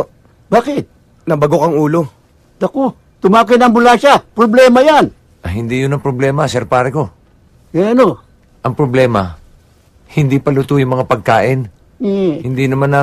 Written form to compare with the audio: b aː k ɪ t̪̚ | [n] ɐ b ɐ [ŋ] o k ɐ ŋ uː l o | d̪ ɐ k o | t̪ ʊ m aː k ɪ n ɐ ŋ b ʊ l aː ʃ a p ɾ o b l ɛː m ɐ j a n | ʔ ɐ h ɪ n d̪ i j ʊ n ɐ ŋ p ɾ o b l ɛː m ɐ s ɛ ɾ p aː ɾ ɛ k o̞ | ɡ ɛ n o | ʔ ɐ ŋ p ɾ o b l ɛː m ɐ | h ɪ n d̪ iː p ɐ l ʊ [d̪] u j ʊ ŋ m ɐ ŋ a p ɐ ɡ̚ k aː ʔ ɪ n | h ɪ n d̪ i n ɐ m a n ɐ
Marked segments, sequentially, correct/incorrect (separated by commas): correct, incorrect, incorrect